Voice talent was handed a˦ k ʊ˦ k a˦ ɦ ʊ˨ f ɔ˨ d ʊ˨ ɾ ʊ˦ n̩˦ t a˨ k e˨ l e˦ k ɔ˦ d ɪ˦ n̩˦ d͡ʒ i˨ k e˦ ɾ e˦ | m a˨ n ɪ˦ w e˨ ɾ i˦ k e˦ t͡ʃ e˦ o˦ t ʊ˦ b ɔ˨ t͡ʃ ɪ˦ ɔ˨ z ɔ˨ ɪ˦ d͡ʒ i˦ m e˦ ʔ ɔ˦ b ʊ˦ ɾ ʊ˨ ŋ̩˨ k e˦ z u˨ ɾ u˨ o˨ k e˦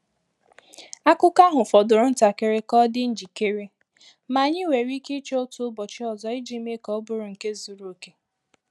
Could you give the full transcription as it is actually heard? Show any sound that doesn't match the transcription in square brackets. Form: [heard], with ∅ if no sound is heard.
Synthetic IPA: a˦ k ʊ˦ k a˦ ɦ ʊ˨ f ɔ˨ d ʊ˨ ɾ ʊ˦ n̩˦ t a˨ k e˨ [ɾ] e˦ k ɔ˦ d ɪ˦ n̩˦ d͡ʒ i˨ k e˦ ɾ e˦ | m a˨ [ɲ] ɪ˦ w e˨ ɾ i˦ k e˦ t͡ʃ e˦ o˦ t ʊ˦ b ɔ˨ t͡ʃ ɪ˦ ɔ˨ z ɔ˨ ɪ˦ d͡ʒ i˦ m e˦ [k] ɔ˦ b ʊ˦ ɾ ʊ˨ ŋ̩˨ k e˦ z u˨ ɾ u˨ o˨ k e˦